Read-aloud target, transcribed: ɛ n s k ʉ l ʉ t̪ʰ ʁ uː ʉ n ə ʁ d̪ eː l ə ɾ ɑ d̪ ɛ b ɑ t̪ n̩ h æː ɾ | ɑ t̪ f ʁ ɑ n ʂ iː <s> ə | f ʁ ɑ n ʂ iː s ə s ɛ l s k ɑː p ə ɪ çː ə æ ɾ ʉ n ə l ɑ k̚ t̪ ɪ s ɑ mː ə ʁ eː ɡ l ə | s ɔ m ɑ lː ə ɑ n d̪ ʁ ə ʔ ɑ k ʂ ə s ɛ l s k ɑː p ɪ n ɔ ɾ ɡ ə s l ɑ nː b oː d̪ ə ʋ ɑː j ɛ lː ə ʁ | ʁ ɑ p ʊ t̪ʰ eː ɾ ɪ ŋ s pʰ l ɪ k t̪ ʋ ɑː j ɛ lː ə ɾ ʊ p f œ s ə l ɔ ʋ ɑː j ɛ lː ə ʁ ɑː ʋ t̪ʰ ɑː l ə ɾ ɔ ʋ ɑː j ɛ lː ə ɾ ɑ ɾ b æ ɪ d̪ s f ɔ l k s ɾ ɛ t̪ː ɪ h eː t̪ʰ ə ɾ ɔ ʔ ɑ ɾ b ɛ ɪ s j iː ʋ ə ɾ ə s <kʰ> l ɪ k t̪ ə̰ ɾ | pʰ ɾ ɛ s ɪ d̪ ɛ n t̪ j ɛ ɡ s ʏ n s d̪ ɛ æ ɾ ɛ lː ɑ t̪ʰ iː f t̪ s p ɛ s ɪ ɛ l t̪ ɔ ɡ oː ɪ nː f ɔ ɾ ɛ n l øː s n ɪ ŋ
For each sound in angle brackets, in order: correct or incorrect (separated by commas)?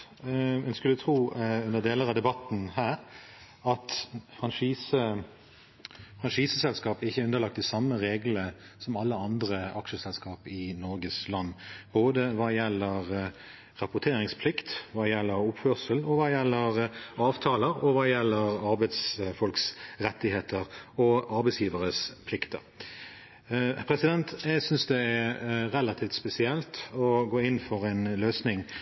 correct, incorrect